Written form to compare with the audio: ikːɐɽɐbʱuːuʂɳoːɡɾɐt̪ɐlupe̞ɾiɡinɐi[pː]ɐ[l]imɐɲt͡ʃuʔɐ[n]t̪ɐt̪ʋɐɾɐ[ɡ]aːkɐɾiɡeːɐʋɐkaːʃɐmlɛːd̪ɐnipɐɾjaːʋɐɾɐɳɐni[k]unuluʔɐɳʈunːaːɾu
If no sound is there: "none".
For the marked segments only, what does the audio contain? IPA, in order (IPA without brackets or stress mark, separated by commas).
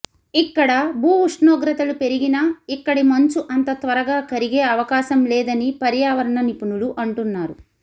kː, ɽ, n, ɡ, p